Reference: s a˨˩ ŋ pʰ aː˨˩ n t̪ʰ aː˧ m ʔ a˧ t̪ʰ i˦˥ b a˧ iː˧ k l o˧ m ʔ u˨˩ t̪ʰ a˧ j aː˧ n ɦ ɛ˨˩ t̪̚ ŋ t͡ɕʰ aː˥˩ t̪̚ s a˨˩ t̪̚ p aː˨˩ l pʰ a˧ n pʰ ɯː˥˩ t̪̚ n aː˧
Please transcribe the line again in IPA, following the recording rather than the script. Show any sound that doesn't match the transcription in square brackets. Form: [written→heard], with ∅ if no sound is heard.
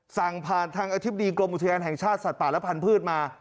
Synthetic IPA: s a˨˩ ŋ pʰ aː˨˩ n t̪ʰ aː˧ [m→ŋ] ʔ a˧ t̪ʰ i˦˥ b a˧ iː˧ k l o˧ m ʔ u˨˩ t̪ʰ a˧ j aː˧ n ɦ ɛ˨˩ [t̪̚→∅] ŋ t͡ɕʰ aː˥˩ t̪̚ s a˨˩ t̪̚ p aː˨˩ l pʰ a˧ n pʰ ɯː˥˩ t̪̚ [n→m] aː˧